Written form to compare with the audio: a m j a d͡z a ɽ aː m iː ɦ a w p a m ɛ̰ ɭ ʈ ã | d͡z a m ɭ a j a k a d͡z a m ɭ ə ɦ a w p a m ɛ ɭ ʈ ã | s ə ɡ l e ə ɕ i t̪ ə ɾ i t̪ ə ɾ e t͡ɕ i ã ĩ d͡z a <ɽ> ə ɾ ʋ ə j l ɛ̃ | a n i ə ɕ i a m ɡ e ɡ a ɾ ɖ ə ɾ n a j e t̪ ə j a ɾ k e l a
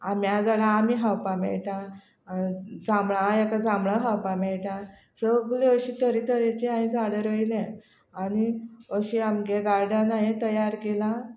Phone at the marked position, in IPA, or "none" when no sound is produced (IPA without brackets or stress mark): ɽ